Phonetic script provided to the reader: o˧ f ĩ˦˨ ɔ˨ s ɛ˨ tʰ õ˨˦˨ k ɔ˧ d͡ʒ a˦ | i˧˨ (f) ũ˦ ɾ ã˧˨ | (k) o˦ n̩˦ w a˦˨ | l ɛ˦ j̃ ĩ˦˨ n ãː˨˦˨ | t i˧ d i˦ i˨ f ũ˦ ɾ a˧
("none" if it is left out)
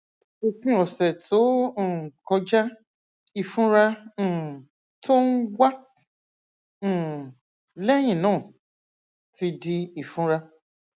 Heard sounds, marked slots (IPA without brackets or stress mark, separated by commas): f, t